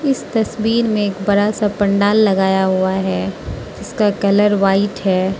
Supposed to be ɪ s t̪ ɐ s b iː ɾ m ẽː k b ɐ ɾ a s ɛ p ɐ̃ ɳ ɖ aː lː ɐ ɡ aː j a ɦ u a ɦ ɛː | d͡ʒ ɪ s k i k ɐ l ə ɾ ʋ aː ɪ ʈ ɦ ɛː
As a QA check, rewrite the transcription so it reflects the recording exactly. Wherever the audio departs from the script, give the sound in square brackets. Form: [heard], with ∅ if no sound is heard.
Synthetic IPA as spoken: ɪ s t̪ ɐ s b iː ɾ m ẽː k b ɐ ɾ a s [a] p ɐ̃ ɳ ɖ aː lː ɐ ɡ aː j a ɦ u a ɦ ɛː | d͡ʒ ɪ s k [a] k ɐ l ə ɾ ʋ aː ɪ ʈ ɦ ɛː